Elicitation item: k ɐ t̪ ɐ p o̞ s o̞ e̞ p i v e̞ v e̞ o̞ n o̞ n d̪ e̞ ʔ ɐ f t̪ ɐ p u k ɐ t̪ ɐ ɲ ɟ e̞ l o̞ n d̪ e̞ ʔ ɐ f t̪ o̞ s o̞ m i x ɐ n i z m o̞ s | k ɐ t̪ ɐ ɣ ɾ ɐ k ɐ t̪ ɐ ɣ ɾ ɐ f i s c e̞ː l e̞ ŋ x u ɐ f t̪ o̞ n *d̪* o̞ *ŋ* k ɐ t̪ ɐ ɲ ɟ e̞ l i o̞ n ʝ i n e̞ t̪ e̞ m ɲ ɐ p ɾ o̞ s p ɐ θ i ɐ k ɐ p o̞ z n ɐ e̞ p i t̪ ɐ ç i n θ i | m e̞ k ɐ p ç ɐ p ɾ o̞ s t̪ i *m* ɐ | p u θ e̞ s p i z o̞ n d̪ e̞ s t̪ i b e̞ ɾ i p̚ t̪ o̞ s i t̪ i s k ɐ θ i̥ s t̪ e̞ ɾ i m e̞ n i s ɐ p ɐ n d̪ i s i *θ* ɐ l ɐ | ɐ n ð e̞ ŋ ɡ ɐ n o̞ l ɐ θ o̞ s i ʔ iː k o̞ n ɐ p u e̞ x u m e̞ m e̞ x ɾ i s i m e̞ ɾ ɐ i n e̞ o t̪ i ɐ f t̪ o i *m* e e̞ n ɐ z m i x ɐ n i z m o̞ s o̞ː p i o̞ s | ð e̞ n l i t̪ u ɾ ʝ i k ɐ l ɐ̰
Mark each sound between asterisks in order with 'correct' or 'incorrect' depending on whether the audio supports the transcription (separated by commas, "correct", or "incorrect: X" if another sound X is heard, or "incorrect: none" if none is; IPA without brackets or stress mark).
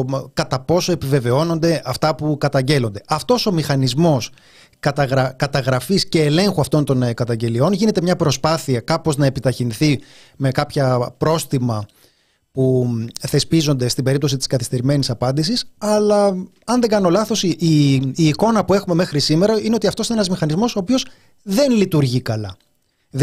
incorrect: t̪, incorrect: n, correct, incorrect: s, incorrect: n